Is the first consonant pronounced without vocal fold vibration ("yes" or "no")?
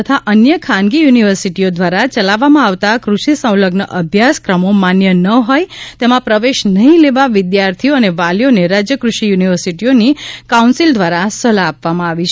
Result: yes